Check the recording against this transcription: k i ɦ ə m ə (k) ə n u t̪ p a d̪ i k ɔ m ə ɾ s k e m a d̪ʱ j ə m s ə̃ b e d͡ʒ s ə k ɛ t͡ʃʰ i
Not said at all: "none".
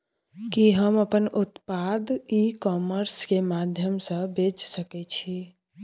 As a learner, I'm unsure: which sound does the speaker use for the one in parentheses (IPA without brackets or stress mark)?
p